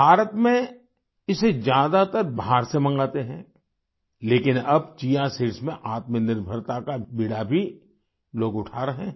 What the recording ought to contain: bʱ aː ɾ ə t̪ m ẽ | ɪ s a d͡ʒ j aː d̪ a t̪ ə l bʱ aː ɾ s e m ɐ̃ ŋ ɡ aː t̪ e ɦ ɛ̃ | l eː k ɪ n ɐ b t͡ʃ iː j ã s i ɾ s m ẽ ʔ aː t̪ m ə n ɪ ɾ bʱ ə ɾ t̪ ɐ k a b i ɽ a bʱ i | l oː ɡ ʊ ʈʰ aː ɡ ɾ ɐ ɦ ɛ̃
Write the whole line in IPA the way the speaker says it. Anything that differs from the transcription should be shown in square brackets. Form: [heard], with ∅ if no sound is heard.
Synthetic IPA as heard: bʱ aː ɾ ə t̪ m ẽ | ɪ s [e] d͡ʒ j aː d̪ a t̪ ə [ɾ] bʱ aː ɾ s e m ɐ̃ ŋ ɡ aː t̪ e ɦ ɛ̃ | l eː k ɪ n ɐ b t͡ʃ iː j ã s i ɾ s m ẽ ʔ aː t̪ m ə n ɪ ɾ bʱ ə ɾ t̪ [a] k a b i ɽ a bʱ i | l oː ɡ ʊ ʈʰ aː [∅] ɾ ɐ ɦ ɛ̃